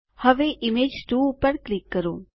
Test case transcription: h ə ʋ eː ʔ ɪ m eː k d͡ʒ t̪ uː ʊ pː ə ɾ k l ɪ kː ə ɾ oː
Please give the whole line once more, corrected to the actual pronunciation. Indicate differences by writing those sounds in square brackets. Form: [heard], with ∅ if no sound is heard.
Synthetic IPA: h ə ʋ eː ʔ ɪ m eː [∅] d͡ʒ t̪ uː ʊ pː ə ɾ k l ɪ kː ə ɾ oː